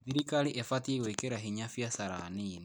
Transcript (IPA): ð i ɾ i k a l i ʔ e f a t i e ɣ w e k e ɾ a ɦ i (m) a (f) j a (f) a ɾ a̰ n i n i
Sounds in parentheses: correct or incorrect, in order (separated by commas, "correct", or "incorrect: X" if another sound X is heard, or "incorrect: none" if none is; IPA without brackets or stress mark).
incorrect: ɲ, correct, incorrect: s